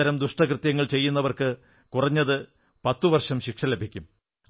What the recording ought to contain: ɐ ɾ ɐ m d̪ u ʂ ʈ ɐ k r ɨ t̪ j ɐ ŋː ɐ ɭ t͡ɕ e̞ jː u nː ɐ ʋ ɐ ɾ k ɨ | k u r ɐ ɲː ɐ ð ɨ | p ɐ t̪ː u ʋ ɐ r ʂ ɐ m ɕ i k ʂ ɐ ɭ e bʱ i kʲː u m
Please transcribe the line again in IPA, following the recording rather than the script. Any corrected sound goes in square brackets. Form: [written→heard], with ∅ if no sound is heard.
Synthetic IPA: ɐ ɾ ɐ m d̪ u ʂ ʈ ɐ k r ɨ t̪ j ɐ ŋː ɐ ɭ t͡ɕ e̞ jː u nː ɐ ʋ ɐ [ɾ→r] k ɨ | k u r ɐ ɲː ɐ ð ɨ | p ɐ t̪ː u ʋ ɐ r ʂ ɐ m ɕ i k ʂ ɐ [ɭ→l] e bʱ i kʲː u m